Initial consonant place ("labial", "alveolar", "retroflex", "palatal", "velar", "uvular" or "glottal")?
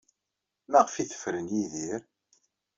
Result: labial